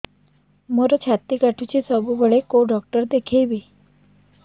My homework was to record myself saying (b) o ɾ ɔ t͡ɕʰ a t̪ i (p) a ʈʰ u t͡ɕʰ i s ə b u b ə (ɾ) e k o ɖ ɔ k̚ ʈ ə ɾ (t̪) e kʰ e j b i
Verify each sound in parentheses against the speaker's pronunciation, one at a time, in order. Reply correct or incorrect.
incorrect, incorrect, incorrect, incorrect

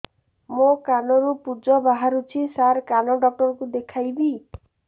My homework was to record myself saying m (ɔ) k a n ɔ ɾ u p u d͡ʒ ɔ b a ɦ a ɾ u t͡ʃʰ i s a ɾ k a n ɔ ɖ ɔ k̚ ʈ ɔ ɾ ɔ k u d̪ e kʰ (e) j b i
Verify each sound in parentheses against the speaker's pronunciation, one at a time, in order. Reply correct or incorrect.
incorrect, incorrect

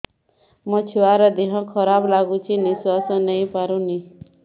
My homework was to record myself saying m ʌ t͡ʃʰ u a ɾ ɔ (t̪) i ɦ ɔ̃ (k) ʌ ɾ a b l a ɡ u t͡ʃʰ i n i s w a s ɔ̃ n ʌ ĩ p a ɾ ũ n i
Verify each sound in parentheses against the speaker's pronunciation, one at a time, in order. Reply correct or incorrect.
incorrect, incorrect

